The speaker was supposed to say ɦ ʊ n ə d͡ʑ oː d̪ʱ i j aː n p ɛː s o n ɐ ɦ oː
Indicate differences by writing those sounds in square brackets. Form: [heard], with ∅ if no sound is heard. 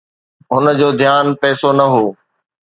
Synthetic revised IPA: ɦ ʊ n ə d͡ʑ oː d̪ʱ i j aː n p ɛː s o n ɐ ɦ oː